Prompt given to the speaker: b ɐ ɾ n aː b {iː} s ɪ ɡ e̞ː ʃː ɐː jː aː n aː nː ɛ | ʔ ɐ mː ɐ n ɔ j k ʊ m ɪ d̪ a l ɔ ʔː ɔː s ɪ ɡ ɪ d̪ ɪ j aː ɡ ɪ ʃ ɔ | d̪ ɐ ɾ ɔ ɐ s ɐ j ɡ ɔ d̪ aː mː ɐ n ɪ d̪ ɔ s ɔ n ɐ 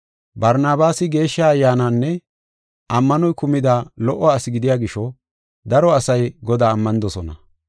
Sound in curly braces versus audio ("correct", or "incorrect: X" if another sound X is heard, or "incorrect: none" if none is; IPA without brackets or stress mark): incorrect: aː